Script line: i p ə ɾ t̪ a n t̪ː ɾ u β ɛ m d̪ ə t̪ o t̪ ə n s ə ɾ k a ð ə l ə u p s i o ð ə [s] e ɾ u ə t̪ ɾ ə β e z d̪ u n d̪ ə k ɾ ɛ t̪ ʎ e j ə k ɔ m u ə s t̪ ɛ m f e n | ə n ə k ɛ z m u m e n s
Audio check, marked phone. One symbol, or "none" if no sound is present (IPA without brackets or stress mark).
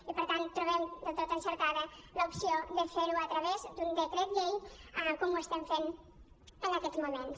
f